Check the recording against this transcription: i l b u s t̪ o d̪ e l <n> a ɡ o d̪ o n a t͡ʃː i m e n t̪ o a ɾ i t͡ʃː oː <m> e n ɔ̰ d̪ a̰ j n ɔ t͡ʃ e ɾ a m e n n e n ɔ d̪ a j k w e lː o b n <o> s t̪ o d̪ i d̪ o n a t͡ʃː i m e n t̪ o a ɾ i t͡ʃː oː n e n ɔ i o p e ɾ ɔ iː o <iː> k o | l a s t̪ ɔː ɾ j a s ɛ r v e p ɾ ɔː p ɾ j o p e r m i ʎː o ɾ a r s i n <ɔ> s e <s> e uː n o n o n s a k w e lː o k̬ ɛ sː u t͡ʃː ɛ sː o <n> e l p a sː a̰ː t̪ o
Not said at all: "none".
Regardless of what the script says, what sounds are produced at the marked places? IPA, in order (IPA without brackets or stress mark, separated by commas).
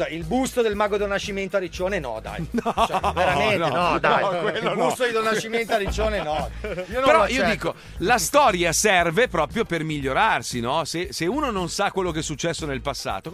m, n, u, iː, ɔ, s, n